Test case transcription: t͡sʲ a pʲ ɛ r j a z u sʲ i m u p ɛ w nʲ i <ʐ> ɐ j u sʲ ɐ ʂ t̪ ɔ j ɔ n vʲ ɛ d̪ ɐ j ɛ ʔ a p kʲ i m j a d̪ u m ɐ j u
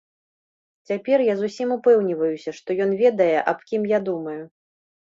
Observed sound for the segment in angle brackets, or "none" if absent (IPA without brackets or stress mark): v